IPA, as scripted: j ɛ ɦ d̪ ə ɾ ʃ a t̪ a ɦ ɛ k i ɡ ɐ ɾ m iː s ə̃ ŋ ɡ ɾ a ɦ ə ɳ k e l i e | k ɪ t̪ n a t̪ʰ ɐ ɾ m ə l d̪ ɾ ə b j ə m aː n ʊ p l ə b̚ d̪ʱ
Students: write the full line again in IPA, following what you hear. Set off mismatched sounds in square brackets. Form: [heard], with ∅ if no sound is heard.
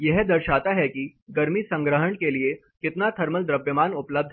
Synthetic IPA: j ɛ ɦ d̪ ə ɾ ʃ a t̪ a ɦ ɛ k i ɡ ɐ ɾ m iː s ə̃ ŋ ɡ ɾ [ə] ɦ ə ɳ k e l i e | k ɪ t̪ n a t̪ʰ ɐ ɾ m ə l d̪ ɾ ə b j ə m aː n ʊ p l ə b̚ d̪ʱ

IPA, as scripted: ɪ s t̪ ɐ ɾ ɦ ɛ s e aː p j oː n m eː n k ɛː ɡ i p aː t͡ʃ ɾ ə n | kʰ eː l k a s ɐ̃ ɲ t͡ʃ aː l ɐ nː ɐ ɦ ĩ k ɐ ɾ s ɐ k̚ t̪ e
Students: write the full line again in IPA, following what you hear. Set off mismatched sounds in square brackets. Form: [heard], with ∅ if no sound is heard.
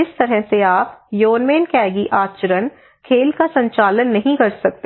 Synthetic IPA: ɪ s t̪ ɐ ɾ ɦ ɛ s e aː p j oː n m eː n k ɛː ɡ i [ʔ] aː t͡ʃ ɾ ə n | kʰ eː l k a s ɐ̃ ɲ t͡ʃ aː l [ə] nː ɐ ɦ ĩ k ɐ ɾ s ɐ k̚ t̪ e

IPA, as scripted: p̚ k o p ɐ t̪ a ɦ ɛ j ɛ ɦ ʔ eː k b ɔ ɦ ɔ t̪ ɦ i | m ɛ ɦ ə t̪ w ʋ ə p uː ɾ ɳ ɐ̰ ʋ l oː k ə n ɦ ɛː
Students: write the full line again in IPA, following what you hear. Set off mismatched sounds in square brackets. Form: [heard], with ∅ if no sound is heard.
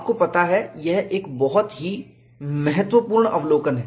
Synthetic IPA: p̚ k o p ɐ t̪ a ɦ ɛ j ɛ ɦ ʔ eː k b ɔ ɦ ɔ t̪ ɦ i | m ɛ ɦ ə t̪ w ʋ ə p uː ɾ ɳ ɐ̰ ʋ l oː k ə n ɦ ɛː

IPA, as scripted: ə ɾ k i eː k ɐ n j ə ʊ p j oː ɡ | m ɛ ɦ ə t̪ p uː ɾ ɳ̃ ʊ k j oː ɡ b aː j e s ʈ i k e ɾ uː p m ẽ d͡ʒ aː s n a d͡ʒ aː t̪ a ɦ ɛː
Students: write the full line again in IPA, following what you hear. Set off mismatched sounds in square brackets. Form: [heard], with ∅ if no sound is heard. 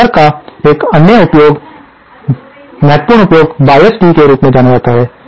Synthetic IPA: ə ɾ k [a] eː k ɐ n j ə ʊ p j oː ɡ | m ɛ ɦ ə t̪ p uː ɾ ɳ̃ ʊ [p] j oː ɡ b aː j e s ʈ i k e ɾ uː p m ẽ d͡ʒ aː [∅] n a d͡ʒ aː t̪ a ɦ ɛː

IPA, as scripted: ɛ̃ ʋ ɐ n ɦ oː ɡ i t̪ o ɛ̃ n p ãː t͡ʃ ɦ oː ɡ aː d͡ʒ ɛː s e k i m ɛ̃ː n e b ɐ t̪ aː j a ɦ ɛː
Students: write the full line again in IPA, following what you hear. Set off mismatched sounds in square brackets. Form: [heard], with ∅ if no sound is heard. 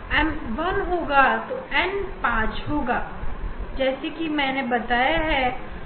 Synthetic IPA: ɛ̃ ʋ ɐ n ɦ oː ɡ [a] t̪ o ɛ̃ n p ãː t͡ʃ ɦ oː ɡ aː d͡ʒ ɛː s e k i m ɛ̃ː n e b ɐ t̪ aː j a ɦ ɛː

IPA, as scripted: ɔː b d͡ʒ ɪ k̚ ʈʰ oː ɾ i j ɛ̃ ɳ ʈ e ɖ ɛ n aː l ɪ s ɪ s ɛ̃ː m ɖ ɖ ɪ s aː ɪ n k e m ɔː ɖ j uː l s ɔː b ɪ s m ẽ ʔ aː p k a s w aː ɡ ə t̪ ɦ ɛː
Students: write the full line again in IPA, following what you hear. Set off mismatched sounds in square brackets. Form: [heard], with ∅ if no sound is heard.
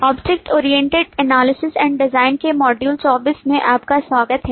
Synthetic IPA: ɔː b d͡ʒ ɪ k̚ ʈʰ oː ɾ i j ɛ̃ ɳ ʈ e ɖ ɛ n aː l ɪ s ɪ s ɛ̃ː [ɳ] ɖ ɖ ɪ [z] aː ɪ n k e m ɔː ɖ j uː l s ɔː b ɪ s m ẽ ʔ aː p k a s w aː ɡ ə t̪ ɦ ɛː

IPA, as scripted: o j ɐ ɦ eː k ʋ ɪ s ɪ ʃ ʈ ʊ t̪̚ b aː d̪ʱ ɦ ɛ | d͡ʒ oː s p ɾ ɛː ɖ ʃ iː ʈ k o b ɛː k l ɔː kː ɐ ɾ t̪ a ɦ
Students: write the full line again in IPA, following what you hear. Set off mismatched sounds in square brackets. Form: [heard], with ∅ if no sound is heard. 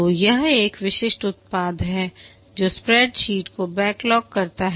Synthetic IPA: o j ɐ ɦ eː k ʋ ɪ [ʃ] ɪ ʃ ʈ ʊ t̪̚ [p] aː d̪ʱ ɦ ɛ | d͡ʒ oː s p ɾ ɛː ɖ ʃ iː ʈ k o b ɛː k l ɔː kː ɐ ɾ t̪ a ɦ

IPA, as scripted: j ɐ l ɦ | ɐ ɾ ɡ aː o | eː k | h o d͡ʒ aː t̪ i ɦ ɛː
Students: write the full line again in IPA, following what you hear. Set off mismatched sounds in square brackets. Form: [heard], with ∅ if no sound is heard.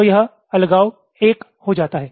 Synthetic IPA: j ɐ [∅] ɦ | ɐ [l] ɡ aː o | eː k | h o d͡ʒ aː t̪ [a] ɦ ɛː

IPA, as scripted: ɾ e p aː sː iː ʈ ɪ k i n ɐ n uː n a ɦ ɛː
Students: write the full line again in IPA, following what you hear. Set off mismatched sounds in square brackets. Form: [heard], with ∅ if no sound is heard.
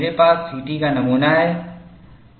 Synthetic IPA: ɾ e p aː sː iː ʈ [i] k [a] n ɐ [m] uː n a ɦ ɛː

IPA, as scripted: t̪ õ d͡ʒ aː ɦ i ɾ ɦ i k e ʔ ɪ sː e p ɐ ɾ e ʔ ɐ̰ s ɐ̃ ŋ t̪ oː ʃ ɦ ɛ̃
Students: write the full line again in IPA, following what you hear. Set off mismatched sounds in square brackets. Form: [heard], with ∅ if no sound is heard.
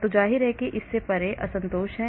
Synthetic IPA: t̪ [o] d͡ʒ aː ɦ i ɾ ɦ [ɛ] k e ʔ ɪ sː e p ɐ ɾ e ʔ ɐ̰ s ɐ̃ [n] t̪ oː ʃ ɦ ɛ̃

